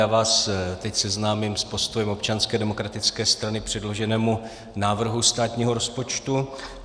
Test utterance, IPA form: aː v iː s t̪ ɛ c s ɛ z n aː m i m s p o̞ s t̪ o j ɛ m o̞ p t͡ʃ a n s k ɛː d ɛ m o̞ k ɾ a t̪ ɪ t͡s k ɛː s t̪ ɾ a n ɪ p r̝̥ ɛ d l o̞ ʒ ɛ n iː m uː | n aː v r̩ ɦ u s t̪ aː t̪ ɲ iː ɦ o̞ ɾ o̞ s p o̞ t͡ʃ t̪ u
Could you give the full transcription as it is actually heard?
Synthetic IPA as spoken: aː v aː s t̪ ɛ c s ɛ z n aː m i m s p o̞ s t̪ o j ɛ m o̞ p t͡ʃ a n s k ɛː d ɛ m o̞ k ɾ a t̪ ɪ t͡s k ɛː s t̪ ɾ a n ɪ p r̝̥ ɛ d l o̞ ʒ ɛ n ɛː m u | n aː v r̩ ɦ u s t̪ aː t̪ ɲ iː ɦ o̞ ɾ o̞ s p o̞ t͡ʃ t̪ u